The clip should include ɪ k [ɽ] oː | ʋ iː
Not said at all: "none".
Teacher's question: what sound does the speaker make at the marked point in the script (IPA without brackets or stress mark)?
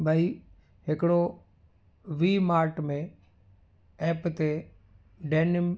ɽ